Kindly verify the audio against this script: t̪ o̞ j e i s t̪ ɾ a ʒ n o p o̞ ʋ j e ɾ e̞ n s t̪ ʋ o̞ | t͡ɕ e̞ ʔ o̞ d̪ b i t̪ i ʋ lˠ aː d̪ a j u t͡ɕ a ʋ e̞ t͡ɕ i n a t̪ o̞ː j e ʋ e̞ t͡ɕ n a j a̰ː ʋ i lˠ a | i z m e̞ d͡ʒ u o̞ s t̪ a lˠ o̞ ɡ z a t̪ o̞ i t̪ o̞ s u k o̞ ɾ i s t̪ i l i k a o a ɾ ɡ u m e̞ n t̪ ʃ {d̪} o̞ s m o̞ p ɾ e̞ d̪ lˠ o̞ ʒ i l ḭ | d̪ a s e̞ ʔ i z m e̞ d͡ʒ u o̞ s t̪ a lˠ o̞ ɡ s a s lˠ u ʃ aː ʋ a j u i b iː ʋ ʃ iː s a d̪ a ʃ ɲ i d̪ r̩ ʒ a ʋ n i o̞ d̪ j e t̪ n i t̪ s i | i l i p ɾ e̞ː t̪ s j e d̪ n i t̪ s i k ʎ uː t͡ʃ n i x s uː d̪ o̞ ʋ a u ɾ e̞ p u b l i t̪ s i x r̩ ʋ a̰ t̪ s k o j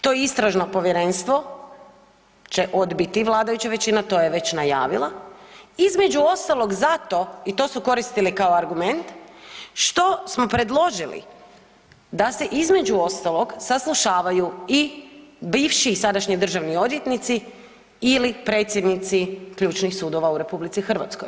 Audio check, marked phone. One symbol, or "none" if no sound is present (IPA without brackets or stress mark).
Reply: t̪